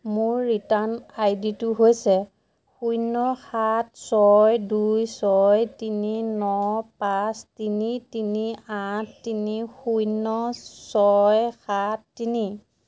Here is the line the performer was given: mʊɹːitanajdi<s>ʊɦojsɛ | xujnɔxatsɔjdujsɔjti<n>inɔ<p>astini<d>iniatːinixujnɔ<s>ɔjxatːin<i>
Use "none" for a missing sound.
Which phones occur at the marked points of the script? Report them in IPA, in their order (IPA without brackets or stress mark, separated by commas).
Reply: t, n, p, t, s, i